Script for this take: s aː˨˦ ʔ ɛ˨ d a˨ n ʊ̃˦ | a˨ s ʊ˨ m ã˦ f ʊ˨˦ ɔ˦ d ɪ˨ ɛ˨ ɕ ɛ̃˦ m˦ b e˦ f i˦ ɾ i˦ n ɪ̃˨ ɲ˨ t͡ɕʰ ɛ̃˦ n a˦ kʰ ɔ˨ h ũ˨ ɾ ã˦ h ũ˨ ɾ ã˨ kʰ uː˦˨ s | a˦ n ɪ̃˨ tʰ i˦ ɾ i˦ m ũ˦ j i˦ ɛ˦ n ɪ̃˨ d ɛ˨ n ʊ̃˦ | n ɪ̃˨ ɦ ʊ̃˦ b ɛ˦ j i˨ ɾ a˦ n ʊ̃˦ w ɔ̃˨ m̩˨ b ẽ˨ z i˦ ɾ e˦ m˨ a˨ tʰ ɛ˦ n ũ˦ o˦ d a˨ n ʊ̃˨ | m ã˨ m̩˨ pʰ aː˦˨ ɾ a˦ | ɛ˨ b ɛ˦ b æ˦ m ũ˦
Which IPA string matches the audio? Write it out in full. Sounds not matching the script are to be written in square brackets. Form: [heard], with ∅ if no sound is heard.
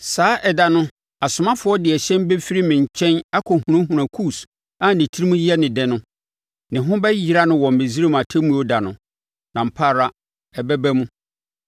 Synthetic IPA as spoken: s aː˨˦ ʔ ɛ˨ d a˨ n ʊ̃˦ | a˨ s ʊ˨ m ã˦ f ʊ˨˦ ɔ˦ d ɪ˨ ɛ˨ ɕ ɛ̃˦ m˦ b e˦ f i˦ ɾ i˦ [m] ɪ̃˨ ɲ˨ t͡ɕʰ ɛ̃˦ n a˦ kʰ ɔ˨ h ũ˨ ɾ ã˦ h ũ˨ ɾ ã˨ kʰ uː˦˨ s | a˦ n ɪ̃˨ tʰ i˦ ɾ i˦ m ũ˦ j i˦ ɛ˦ n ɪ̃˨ d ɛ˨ n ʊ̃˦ | n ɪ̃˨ ɦ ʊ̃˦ b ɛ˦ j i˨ ɾ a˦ n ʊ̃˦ w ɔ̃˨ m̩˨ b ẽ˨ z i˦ ɾ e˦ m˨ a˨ tʰ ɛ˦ [m] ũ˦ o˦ d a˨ n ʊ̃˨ | [n] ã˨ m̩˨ pʰ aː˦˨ ɾ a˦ | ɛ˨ b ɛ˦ b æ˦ m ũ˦

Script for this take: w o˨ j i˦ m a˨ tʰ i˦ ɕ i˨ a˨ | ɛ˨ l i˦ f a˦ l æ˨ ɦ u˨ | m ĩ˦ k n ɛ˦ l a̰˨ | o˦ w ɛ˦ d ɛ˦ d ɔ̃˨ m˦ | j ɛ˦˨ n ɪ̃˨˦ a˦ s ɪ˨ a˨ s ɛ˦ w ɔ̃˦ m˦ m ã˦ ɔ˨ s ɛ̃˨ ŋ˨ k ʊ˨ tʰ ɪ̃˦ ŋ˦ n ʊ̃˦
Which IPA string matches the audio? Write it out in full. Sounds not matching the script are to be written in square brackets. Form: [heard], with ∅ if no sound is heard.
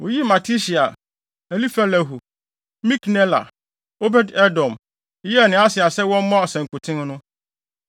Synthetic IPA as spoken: w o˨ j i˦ m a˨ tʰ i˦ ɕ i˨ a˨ | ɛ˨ l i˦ f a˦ l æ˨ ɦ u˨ | m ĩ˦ k n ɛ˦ l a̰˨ | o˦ [b] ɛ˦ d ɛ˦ d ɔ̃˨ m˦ | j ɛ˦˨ n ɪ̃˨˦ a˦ s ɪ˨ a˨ s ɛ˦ w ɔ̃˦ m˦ m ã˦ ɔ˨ s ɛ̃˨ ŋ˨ k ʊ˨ tʰ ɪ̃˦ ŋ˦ n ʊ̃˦

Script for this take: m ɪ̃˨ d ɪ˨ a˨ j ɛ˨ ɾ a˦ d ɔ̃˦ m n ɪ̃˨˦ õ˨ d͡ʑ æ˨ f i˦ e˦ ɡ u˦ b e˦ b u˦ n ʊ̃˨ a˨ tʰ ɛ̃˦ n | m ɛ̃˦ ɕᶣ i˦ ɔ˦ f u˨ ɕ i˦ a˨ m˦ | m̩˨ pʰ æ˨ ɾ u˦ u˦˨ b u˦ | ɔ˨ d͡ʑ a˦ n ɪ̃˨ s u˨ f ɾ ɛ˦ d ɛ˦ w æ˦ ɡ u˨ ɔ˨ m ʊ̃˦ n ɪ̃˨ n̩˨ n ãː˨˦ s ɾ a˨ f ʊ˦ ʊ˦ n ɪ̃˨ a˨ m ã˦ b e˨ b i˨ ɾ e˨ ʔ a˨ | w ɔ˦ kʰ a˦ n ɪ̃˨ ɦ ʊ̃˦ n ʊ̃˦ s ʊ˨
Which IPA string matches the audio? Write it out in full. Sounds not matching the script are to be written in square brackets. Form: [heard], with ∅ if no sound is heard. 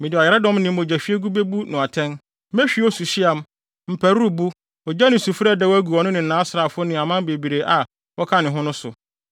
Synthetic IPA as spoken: m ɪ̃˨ d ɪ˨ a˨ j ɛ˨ ɾ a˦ d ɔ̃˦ m n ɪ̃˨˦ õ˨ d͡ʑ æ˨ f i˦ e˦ ɡ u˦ b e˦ b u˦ n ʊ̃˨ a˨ tʰ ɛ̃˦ n | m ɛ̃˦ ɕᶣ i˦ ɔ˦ [s] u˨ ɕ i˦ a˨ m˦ | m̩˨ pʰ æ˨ ɾ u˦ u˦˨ b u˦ | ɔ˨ d͡ʑ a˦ n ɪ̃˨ s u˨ f ɾ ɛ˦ d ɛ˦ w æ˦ ɡ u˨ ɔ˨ [n] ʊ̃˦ n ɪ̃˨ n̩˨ n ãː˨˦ s ɾ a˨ f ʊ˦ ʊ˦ n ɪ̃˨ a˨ m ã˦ b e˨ b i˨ ɾ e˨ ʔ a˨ | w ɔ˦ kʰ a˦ n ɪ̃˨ ɦ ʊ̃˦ n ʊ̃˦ s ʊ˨

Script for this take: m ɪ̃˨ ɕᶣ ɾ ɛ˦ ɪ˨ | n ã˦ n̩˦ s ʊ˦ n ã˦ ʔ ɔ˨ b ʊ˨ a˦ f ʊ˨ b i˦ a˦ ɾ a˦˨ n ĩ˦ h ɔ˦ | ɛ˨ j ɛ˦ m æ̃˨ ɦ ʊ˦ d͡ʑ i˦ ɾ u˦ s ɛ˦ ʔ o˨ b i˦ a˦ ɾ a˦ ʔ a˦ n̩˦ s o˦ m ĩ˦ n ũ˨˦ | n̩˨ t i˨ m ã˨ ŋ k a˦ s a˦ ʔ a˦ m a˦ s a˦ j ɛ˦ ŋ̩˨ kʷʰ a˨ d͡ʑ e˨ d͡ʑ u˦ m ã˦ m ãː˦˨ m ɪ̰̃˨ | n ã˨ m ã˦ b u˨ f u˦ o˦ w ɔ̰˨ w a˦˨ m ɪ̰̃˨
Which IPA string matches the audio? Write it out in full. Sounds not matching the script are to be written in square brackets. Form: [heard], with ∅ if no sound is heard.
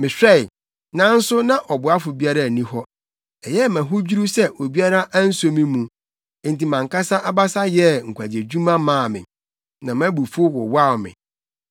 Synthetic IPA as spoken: m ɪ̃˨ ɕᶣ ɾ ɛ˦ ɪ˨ | n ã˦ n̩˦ s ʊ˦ n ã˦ ʔ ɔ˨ b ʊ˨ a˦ f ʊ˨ b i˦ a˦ ɾ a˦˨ n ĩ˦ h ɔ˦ | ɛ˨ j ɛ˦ m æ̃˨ ɦ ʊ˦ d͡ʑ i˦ ɾ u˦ s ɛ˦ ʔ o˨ b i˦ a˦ ɾ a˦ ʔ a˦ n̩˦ s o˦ m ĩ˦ [m] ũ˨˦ | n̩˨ t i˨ m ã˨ ŋ k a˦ s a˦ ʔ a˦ [b] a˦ s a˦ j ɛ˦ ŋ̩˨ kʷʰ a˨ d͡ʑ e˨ d͡ʑ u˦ m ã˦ m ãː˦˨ m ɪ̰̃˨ | n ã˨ m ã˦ b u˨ f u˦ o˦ w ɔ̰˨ w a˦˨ m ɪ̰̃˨

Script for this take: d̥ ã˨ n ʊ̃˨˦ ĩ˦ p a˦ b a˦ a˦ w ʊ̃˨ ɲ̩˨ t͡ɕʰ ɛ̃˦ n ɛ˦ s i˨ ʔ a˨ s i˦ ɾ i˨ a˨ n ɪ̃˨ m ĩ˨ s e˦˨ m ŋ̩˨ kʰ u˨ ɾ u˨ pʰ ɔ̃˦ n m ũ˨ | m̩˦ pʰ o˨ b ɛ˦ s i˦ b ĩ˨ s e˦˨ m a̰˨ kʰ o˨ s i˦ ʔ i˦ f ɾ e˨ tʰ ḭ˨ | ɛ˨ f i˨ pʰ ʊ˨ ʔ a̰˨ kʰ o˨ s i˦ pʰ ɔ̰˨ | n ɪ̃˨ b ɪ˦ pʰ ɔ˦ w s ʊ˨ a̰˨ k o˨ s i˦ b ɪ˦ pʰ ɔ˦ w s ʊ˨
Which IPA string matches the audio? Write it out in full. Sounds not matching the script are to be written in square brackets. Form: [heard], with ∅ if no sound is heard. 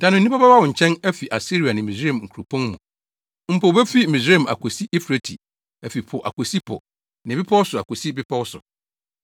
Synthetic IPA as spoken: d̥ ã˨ n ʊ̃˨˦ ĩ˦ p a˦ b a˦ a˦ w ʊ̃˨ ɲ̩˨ t͡ɕʰ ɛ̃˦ n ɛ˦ [f] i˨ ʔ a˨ s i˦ ɾ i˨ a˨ n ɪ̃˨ m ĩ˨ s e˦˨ m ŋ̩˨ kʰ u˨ ɾ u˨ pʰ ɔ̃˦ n m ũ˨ | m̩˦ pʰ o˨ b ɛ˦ [f] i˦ [m] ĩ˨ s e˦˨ m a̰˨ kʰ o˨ s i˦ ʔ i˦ f ɾ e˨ tʰ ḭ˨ | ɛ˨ f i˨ pʰ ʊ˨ ʔ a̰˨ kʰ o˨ s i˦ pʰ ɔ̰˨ | n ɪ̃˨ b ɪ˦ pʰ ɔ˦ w s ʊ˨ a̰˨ k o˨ s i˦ b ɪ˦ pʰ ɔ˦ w s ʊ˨

